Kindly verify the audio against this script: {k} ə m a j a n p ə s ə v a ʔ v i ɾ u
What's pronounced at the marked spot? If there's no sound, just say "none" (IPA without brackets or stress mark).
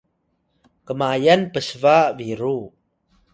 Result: k